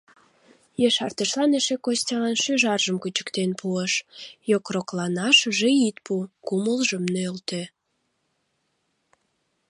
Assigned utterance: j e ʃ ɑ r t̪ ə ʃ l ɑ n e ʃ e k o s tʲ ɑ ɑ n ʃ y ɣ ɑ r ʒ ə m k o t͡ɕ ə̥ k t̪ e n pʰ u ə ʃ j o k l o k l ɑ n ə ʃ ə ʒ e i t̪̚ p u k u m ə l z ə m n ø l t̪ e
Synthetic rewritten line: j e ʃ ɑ r t̪ ə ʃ l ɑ n e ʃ e k o s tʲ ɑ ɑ n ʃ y ʒ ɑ r ʒ ə m k u t͡ɕ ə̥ k t̪ e n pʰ u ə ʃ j o k r o k l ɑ n ɑ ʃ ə ʒ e i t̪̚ p u k u m ə l ʒ ə m n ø l t̪ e